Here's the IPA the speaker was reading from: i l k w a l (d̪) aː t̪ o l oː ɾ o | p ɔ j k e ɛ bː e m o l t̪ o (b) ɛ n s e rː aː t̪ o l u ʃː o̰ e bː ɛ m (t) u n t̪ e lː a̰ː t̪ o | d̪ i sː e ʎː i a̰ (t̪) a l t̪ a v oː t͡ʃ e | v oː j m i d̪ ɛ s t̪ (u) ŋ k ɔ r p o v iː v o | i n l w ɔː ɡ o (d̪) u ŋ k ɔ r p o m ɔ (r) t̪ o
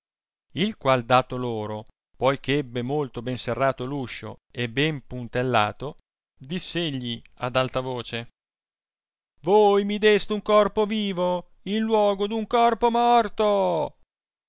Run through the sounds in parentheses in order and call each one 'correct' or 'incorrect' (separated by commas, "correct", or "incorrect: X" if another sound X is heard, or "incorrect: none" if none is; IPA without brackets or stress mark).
correct, correct, incorrect: p, incorrect: d̪, correct, correct, correct